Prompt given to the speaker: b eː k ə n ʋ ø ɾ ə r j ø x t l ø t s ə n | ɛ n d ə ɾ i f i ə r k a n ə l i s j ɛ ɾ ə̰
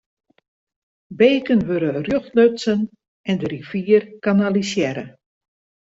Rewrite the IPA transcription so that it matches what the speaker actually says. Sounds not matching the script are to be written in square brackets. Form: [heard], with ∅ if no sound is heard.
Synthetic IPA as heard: b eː k ə n ʋ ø ɾ ə r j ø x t l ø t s ə n | ɛ n d ə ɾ i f i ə r k a n [a] l i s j ɛ ɾ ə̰